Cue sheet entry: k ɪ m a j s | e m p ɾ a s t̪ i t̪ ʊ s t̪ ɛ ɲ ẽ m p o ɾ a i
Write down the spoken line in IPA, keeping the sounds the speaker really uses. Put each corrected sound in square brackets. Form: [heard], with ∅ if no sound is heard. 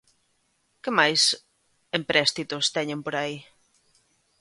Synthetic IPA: k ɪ m a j s | e m p ɾ [ɛ] s t̪ i t̪ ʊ s t̪ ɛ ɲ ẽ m p o ɾ a i